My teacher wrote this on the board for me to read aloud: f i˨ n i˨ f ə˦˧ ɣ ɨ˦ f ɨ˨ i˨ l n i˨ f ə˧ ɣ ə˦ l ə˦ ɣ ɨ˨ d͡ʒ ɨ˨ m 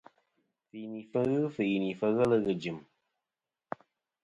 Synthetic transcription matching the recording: f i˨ n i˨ f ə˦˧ ɣ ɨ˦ f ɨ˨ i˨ n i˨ f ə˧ ɣ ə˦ l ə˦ ɣ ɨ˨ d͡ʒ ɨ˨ m